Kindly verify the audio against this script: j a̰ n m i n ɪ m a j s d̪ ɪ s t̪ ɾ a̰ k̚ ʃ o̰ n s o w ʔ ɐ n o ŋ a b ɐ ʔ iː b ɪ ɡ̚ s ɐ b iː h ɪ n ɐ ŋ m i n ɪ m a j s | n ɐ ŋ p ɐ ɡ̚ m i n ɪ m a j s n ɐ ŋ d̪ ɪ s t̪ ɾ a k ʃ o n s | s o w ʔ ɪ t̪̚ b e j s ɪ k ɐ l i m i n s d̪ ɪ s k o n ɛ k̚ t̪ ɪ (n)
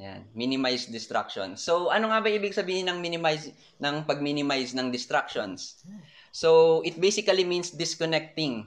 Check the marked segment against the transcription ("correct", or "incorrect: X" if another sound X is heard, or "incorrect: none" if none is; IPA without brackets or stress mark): incorrect: ŋ